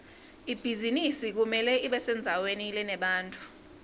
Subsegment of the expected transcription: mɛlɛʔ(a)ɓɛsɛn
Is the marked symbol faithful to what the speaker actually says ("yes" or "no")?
no